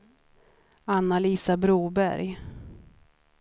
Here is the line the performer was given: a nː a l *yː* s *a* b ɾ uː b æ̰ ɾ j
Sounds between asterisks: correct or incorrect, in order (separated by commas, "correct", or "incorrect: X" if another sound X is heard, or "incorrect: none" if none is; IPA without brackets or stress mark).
incorrect: iː, correct